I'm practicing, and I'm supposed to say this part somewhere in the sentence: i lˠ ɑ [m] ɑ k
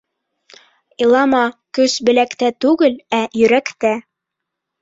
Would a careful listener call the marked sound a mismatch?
no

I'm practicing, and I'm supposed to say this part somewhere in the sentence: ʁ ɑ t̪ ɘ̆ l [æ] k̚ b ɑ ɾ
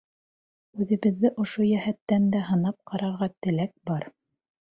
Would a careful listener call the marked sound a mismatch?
no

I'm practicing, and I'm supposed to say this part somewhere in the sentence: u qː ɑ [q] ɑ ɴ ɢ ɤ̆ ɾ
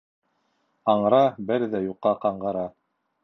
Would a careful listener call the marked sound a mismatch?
no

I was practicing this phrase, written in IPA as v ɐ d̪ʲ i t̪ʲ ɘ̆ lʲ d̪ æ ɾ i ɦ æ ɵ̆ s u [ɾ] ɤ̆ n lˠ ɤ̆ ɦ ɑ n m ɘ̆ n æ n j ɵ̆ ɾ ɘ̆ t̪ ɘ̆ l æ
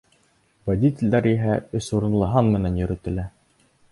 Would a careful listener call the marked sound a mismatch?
no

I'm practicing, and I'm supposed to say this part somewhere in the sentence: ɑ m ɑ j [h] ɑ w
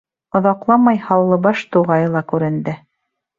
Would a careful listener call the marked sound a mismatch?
no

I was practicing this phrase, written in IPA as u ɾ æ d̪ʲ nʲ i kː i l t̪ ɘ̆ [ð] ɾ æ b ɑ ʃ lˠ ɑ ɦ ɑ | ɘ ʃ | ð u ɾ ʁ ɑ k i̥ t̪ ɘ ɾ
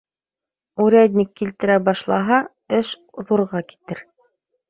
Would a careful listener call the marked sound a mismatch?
yes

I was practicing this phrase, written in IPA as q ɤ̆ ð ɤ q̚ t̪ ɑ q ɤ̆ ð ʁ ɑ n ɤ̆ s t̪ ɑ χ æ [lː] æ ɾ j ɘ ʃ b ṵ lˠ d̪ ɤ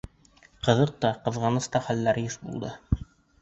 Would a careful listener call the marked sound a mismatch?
no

